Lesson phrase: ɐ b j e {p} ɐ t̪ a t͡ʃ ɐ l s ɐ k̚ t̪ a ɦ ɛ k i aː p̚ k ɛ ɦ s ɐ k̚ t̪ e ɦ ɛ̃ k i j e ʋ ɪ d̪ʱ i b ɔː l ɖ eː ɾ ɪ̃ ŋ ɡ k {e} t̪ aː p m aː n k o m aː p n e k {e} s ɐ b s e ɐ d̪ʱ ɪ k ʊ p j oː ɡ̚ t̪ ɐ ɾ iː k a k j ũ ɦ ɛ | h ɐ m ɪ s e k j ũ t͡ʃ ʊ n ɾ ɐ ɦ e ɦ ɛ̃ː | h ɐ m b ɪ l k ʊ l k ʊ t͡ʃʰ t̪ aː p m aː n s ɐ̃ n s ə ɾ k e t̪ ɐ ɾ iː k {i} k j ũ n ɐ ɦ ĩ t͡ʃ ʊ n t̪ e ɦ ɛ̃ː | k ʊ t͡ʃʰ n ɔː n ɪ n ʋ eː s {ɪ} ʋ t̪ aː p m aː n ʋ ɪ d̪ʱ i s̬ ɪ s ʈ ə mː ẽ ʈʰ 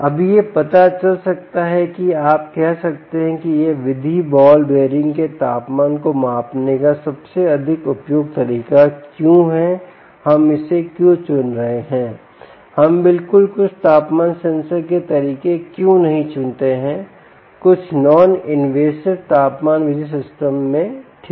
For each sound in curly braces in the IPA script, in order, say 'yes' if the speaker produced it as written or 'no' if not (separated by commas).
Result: yes, yes, no, no, yes